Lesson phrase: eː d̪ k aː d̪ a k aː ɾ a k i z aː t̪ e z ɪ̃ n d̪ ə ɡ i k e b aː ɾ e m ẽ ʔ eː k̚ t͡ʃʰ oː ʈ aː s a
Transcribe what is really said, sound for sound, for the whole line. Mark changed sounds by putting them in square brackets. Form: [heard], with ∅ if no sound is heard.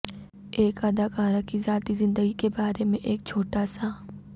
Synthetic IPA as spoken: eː [∅] k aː d̪ a k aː ɾ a k i z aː t̪ [i] z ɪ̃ n d̪ ə ɡ i k e b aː ɾ e m ẽ ʔ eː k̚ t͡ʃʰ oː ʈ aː s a